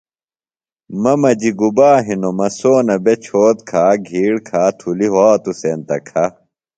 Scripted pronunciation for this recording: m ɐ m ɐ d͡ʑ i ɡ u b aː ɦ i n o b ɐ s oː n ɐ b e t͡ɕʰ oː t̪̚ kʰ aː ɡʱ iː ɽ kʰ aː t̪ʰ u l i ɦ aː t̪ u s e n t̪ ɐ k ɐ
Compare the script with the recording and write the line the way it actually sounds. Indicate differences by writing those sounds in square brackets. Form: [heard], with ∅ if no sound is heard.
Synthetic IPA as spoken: m ɐ m ɐ d͡ʑ i ɡ u b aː ɦ i n o [m] ɐ s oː n ɐ b e t͡ɕʰ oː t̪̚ kʰ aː ɡʱ iː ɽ kʰ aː t̪ʰ u l i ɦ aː t̪ u s e n t̪ ɐ [kʰ] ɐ